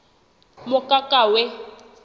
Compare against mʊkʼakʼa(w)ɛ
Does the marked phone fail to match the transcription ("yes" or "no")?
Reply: no